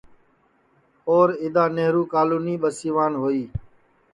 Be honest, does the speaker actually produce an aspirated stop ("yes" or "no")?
no